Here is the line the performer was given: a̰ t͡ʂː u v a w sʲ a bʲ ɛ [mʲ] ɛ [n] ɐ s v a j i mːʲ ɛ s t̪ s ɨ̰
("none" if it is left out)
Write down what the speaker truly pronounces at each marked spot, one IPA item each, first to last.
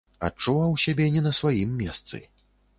nʲ, n

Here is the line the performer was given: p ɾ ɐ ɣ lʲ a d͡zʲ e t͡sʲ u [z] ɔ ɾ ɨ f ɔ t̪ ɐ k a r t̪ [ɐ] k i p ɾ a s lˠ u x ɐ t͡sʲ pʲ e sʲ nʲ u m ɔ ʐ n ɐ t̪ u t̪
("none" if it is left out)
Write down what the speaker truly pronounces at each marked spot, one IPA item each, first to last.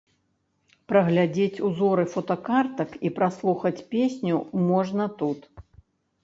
z, ɐ

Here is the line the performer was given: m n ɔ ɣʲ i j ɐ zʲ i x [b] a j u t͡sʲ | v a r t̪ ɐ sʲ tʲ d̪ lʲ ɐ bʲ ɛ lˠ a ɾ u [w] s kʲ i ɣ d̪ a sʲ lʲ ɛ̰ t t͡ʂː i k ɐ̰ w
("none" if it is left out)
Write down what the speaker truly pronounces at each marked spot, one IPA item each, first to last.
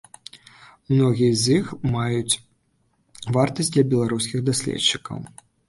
m, none

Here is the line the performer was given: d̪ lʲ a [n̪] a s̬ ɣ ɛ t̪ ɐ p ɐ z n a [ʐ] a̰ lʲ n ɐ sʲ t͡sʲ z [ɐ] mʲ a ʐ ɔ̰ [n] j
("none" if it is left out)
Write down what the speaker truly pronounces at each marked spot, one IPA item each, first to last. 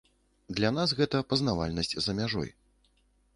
n̪, v, ɐ, none

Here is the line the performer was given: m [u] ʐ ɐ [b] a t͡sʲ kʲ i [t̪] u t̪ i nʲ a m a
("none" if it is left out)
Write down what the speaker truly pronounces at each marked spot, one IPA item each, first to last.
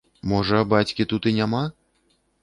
ɔ, b, t̪

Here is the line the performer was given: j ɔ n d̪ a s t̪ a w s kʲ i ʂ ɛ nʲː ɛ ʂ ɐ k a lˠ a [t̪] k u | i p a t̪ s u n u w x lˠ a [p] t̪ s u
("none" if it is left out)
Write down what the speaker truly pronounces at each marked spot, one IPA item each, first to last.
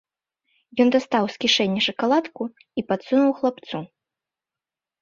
t̪, p

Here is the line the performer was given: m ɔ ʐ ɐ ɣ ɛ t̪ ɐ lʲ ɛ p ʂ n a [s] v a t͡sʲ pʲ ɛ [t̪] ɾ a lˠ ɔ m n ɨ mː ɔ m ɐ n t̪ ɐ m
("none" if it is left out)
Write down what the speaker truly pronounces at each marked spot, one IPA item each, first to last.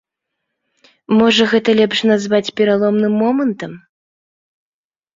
z, none

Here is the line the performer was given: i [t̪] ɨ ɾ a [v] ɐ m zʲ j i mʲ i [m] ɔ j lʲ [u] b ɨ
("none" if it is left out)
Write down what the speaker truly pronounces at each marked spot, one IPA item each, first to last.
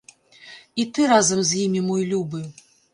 t̪, z, m, u

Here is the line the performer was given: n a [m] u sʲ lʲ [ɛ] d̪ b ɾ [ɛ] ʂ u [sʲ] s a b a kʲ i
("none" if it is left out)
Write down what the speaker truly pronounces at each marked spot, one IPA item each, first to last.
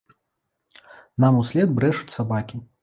m, ɛ, ɛ, t͡sʲ

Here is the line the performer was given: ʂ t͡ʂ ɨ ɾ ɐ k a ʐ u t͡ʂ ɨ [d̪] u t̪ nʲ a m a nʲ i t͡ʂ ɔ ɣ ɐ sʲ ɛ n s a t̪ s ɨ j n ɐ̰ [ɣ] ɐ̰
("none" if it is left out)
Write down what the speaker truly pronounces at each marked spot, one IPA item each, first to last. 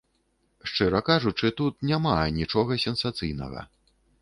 t̪, ɣ

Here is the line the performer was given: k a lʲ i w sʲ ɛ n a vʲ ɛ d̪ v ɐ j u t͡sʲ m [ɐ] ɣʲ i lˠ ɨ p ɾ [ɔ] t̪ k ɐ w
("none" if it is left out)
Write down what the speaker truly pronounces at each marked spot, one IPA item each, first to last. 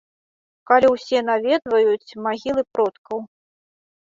a, ɔ

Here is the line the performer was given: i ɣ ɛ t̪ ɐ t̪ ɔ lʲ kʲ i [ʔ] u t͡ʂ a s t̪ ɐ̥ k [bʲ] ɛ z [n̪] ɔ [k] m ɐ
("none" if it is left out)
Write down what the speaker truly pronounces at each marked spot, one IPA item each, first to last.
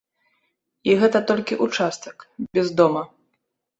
ʔ, bʲ, d̪, none

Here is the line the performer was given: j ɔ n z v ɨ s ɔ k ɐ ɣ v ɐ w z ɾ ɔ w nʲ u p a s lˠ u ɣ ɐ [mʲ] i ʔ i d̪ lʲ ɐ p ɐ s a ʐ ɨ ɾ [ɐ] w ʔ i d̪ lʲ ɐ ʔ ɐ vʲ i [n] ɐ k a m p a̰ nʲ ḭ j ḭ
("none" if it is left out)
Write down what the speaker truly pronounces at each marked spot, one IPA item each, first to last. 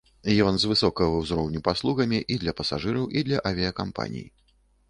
mʲ, ɐ, none

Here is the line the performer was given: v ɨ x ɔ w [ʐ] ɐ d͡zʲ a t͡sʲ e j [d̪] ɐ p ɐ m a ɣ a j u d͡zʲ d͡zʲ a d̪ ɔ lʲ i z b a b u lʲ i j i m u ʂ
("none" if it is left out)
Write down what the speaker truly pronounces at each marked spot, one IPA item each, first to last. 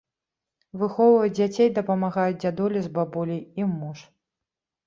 v, d̪

